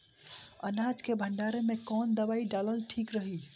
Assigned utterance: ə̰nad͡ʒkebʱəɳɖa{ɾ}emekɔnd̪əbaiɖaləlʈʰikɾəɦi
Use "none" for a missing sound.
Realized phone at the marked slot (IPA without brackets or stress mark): ɾ